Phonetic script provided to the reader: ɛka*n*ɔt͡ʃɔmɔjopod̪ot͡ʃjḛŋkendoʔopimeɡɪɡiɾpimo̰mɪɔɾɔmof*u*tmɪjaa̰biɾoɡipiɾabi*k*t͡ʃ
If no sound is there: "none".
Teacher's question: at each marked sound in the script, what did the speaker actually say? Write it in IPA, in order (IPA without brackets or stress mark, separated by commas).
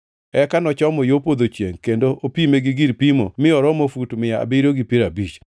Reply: n, u, none